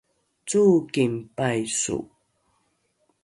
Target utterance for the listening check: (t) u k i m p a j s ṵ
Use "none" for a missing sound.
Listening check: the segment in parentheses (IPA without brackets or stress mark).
t͡s